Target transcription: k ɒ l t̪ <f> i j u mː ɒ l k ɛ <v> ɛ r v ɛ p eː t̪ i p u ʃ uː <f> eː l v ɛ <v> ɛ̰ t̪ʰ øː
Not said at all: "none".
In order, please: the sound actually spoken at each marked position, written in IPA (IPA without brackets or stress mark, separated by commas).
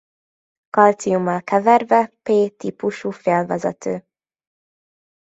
s, v, f, z